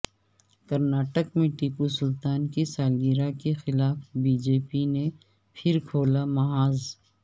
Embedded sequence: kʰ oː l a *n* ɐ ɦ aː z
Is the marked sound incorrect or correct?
incorrect